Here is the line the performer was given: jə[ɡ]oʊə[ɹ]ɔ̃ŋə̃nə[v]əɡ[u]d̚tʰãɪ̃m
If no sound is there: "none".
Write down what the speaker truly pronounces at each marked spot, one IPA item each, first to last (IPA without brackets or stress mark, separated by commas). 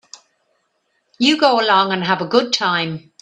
ɡ, l, v, ʊ